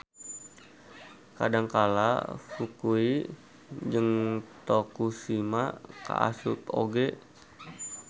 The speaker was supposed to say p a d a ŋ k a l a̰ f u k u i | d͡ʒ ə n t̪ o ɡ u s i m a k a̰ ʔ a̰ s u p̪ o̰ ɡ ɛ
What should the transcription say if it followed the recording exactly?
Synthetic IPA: k a d a ŋ k a l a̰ f u k u i | d͡ʒ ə ŋ t̪ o k u s i m a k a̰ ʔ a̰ s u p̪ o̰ ɡ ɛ